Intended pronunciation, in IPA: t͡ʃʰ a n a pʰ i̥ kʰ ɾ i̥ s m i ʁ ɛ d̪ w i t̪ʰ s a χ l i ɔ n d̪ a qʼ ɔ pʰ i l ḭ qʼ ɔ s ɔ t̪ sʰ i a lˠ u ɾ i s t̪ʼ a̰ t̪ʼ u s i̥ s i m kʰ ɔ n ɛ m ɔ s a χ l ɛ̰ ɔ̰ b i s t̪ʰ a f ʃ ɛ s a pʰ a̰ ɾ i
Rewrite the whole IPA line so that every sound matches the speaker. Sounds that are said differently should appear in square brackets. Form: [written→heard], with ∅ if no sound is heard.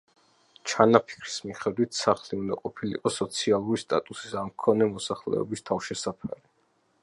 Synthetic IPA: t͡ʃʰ a n a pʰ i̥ kʰ ɾ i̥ s m i [ʁ→χ] ɛ d̪ w i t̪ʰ s a χ l i [ɔ→u] n d̪ a qʼ ɔ pʰ i l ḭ qʼ ɔ s ɔ t̪ sʰ i a lˠ u ɾ i s t̪ʼ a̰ t̪ʼ u s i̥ s [i→a] m kʰ ɔ n ɛ m ɔ s a χ l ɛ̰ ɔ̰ b i s t̪ʰ a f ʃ ɛ s a pʰ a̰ ɾ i